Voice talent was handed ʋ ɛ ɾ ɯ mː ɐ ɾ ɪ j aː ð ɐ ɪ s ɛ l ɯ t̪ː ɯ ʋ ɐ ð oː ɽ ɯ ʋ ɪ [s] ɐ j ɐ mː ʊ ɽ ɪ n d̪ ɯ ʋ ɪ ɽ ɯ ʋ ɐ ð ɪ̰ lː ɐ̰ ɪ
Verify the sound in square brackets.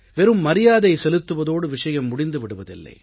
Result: incorrect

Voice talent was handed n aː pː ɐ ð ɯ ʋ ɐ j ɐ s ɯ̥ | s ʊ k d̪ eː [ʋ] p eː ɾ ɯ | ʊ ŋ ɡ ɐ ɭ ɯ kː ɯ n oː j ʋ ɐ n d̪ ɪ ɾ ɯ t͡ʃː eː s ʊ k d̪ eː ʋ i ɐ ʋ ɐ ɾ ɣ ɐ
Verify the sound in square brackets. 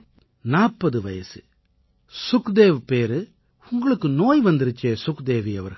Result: correct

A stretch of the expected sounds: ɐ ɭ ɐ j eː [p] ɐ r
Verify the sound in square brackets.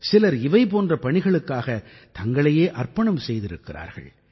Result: incorrect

